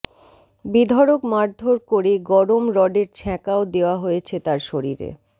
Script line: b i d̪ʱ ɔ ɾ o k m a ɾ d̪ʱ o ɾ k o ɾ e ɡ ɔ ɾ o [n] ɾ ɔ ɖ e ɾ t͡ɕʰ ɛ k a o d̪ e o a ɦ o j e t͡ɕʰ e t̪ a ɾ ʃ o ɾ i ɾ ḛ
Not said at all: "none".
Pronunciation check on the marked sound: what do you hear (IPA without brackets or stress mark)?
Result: m